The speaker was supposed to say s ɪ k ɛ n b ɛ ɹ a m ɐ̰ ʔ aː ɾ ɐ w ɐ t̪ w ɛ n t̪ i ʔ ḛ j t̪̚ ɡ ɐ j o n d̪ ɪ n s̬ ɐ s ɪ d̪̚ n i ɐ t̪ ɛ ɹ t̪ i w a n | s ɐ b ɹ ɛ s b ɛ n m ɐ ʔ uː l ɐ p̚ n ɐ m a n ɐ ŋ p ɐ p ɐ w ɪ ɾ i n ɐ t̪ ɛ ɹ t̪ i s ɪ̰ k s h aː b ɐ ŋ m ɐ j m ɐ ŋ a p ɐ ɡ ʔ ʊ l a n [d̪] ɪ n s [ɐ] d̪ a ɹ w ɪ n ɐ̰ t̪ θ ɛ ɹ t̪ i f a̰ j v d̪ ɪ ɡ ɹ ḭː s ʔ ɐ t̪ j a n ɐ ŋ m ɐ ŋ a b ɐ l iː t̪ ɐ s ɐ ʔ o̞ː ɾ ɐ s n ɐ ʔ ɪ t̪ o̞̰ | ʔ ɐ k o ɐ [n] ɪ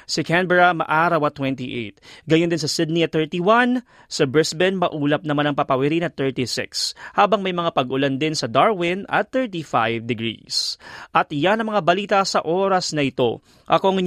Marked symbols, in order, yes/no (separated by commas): yes, yes, no